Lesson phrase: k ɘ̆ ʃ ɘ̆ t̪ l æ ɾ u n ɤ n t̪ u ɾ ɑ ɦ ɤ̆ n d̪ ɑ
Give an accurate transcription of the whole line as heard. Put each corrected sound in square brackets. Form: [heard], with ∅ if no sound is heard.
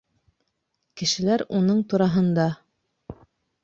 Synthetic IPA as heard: k ɘ̆ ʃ ɘ̆ [∅] l æ ɾ u n ɤ [ɴ] t̪ u ɾ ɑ ɦ ɤ̆ n d̪ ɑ

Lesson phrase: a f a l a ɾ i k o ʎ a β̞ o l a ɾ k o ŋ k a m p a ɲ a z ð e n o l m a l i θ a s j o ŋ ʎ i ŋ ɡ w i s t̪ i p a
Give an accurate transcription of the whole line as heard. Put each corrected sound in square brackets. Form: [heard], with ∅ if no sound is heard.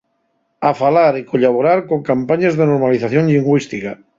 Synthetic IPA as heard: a f a l a ɾ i k o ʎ a β̞ o [ɾ] a ɾ k o ŋ k a m p a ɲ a z ð e n o [ɾ] m a l i θ a [θ] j o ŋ ʎ i ŋ ɡ w i s t̪ i [k] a

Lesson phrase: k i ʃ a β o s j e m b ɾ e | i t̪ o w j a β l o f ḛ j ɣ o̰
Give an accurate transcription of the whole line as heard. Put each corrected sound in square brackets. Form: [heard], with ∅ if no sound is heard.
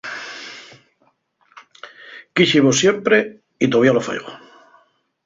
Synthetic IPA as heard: k i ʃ [i] β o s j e m [p] ɾ e | i t̪ o [β] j a [∅] l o f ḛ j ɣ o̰

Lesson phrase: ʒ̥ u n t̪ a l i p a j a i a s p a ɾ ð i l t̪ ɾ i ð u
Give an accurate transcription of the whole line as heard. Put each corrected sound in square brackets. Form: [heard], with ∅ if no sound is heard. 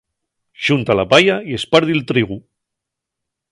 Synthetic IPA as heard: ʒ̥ u n t̪ a l [a] p a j a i [e] s p a ɾ ð i l t̪ ɾ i [ɣ] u

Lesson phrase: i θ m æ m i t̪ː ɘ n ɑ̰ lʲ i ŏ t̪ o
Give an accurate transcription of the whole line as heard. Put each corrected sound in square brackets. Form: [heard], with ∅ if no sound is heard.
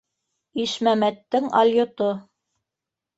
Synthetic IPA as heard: i [ʃ] m æ m [æ] t̪ː ɘ [ŋ] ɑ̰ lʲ [j] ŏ t̪ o

